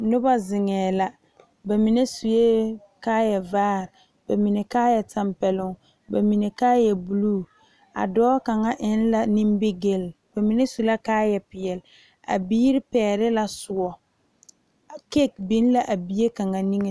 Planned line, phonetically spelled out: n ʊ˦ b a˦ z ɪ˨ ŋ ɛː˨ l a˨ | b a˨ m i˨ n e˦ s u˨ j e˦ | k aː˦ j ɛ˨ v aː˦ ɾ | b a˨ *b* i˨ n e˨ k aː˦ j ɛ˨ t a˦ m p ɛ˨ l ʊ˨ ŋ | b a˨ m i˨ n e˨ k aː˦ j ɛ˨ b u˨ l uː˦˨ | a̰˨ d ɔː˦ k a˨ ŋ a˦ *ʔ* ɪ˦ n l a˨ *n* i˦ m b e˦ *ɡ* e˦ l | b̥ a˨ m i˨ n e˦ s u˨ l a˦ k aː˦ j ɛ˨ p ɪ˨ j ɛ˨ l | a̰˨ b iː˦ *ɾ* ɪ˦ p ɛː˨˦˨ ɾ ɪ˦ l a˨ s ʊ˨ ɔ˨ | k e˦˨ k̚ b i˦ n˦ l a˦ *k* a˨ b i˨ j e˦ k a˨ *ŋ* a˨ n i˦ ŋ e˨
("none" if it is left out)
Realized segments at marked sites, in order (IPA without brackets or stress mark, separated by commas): m, ʔ, n, ɡ, ɾ, ʔ, ŋ